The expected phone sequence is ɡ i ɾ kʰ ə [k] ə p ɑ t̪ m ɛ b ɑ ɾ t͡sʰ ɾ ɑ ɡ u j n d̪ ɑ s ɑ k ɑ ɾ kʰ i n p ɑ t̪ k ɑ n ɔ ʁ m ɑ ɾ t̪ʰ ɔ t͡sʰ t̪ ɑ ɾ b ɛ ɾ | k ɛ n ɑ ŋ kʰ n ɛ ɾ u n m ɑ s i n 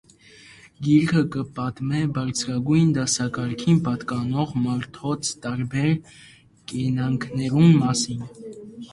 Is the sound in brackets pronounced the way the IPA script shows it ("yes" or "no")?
yes